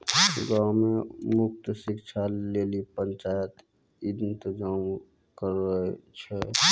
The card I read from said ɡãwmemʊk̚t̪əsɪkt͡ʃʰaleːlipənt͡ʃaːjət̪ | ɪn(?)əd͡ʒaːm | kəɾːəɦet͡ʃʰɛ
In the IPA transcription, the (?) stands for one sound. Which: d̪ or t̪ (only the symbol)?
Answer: t̪